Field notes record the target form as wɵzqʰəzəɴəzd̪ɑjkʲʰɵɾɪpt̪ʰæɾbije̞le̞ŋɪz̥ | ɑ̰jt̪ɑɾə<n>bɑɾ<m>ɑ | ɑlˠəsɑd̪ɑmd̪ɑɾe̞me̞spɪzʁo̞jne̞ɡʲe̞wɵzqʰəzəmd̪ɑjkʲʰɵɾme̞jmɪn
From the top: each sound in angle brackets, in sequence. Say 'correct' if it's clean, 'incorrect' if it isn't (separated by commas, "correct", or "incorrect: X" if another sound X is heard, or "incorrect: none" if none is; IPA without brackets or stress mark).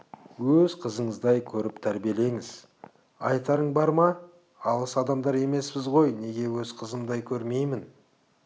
incorrect: ɴ, correct